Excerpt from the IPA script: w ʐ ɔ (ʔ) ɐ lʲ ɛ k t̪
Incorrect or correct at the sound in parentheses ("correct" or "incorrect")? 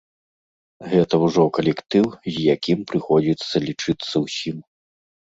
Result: incorrect